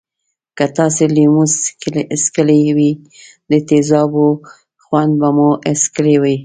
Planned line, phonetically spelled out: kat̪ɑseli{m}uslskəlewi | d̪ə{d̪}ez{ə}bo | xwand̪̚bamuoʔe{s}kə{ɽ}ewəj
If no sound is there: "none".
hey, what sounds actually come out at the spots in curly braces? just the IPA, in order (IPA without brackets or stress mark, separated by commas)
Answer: m, t̪, ɑ, s, l